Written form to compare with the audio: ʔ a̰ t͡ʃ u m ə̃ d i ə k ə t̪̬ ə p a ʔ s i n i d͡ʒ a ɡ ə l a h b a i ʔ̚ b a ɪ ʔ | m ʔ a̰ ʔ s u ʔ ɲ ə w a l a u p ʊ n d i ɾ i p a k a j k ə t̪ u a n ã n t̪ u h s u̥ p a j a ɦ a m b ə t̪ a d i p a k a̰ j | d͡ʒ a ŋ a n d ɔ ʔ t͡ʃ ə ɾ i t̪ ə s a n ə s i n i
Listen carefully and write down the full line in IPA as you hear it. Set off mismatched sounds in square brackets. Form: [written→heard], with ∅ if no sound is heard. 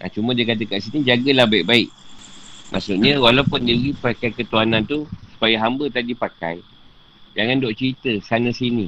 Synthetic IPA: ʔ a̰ t͡ʃ u m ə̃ d i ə k [ə→a] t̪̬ ə [p→k] a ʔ s i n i d͡ʒ a ɡ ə l a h b a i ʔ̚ b a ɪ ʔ | m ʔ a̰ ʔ s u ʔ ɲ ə w a l a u p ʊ n d i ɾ i p a k a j k ə t̪ u a n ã n t̪ u [h→∅] s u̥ p a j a ɦ a m b ə t̪ a d i p a k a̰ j | d͡ʒ a ŋ a n d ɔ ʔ t͡ʃ ə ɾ i t̪ ə s a n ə s i n i